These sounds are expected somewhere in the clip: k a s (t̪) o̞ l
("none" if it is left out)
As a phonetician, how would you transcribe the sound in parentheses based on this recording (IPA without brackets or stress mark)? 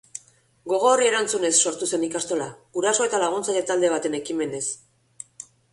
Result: t̪